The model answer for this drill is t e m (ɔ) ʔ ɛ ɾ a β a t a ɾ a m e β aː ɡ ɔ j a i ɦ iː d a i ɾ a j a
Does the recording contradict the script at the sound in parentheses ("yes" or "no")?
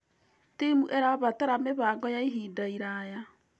yes